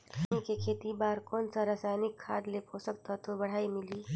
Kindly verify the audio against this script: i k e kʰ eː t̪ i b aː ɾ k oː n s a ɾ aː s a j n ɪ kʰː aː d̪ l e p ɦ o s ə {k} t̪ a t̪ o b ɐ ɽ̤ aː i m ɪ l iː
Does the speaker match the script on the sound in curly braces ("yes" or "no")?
yes